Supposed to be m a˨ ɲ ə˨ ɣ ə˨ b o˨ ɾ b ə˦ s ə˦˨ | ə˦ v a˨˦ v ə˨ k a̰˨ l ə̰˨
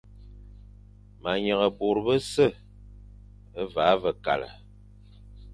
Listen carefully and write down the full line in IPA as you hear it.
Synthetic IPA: m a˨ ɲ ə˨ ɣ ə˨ b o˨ ɾ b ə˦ s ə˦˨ | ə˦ v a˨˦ v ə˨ k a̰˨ l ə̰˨